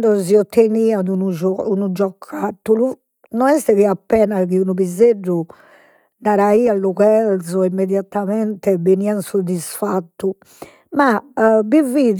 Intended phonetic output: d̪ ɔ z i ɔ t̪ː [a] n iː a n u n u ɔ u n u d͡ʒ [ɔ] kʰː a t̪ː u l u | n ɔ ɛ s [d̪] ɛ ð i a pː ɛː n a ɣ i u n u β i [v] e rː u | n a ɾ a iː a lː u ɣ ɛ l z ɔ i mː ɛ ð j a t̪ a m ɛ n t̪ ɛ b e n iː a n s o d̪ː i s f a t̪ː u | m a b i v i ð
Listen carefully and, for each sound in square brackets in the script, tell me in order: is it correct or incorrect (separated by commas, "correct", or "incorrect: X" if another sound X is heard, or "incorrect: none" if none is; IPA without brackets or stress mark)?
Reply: incorrect: e, correct, incorrect: t̪, incorrect: z